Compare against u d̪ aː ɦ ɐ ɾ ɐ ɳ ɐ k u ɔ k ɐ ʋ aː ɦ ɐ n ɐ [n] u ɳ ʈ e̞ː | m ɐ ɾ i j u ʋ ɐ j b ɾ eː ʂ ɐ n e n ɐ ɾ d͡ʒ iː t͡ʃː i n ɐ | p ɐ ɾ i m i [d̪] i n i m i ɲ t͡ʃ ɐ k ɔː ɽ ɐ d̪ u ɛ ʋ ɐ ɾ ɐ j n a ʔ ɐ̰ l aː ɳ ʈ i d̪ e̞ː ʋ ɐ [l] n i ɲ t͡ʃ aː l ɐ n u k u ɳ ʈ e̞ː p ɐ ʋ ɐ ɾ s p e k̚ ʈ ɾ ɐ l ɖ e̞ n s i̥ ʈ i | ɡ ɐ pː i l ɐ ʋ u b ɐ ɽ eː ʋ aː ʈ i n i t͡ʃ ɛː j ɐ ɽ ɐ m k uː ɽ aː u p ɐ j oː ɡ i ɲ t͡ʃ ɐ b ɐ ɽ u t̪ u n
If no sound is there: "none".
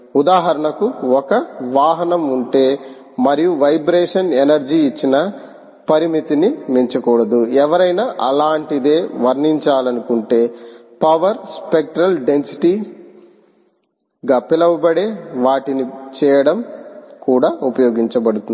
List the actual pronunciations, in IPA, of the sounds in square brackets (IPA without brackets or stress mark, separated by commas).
m, t̪, ɾ